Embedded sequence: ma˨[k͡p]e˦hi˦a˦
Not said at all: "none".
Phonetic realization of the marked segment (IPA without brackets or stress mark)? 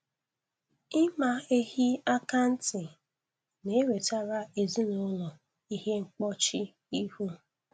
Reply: none